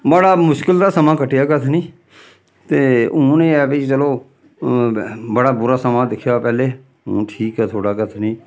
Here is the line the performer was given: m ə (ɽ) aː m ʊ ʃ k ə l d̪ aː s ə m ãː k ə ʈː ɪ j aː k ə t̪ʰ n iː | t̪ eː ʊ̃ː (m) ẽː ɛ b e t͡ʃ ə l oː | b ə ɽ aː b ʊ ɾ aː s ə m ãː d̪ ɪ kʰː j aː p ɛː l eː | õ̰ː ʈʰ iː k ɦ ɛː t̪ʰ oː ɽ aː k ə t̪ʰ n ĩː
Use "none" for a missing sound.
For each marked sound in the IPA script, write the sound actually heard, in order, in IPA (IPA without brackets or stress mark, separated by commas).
ɽ, n